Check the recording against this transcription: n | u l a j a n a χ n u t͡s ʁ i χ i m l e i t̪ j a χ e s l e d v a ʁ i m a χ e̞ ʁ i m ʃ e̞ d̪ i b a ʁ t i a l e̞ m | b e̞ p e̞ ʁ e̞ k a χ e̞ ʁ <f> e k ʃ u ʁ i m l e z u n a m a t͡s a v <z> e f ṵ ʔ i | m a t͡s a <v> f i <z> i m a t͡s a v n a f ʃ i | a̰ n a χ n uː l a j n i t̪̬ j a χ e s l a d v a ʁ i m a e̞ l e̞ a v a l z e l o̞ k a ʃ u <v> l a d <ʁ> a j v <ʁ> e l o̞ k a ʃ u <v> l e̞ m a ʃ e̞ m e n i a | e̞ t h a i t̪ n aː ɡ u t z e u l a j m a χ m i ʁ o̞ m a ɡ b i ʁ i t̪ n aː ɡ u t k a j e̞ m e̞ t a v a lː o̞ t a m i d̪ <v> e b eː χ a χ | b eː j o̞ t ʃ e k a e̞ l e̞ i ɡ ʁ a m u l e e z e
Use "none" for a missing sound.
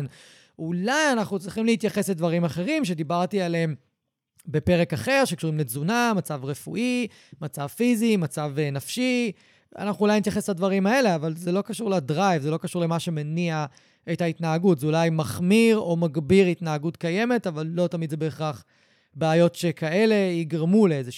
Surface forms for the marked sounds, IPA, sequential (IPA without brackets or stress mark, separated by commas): ʃ, ʁ, v, z, ʁ, ʁ, z, ʁ, z